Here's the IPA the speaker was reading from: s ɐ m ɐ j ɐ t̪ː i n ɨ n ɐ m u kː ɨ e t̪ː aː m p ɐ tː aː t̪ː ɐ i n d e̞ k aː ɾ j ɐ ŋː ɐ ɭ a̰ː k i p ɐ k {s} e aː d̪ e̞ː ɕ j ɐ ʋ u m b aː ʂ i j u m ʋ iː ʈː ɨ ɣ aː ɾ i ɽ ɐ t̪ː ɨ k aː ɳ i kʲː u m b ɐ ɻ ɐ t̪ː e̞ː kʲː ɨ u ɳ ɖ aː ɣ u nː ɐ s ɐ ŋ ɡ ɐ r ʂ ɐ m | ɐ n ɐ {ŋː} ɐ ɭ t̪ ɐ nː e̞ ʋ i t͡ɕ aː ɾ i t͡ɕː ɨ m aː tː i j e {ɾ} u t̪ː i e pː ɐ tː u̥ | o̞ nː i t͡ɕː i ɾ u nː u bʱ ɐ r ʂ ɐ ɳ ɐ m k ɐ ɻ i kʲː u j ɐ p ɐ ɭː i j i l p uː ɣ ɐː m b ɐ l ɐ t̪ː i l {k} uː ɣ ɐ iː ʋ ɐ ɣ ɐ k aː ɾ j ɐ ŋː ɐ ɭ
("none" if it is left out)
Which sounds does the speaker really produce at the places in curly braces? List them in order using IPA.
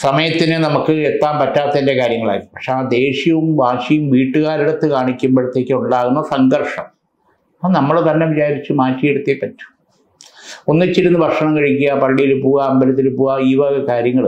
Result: ʂ, mː, ɽ, p

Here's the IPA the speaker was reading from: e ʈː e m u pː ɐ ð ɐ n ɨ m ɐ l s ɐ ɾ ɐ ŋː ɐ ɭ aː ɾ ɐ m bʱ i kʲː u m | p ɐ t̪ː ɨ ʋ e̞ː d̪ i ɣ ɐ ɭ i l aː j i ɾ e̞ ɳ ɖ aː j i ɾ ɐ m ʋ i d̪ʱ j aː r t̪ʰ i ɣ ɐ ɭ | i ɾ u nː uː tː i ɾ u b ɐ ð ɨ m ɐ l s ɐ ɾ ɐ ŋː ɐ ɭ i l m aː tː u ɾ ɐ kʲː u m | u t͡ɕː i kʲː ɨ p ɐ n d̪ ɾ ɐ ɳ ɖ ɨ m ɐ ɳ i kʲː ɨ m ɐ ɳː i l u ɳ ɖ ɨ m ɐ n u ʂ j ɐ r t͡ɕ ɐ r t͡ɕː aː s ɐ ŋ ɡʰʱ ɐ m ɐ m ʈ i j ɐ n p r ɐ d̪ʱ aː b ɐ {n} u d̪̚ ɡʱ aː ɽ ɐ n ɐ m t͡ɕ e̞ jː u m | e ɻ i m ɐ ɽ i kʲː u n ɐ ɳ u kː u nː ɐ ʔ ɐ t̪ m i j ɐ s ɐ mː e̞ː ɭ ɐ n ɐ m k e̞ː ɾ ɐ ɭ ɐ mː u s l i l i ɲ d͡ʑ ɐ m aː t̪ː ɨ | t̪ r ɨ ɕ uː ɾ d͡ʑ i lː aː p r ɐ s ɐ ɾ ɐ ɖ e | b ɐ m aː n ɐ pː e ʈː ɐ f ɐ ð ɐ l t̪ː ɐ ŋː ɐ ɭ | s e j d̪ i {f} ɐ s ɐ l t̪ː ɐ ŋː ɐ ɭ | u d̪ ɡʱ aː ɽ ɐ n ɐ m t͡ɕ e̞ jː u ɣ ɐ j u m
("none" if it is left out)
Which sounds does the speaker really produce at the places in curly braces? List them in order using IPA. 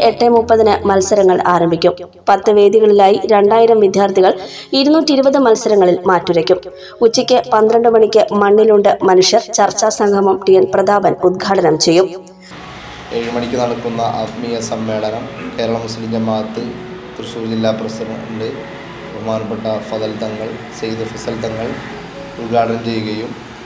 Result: n, f

